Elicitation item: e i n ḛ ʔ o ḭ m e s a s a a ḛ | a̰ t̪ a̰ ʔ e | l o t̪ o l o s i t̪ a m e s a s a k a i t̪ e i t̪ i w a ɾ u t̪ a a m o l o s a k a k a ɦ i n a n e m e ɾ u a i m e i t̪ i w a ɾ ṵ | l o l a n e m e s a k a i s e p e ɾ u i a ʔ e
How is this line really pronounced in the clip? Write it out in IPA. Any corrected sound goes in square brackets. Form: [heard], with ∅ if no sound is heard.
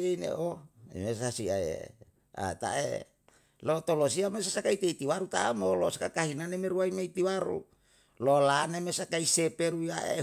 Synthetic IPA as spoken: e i n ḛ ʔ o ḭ m e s a s [i] a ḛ | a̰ t̪ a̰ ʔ e | l o t̪ o l o s i [∅] a m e s a s a k a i t̪ e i t̪ i w a ɾ u t̪ a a m o l o s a k a k a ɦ i n a n e m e ɾ u a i m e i t̪ i w a ɾ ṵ | l o l a n e m e s a k a i s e p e ɾ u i a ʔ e